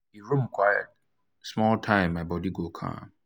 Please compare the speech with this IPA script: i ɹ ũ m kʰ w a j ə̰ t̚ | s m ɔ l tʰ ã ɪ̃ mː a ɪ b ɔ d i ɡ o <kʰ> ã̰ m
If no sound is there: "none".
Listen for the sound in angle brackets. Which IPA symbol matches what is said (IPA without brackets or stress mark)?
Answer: kʰ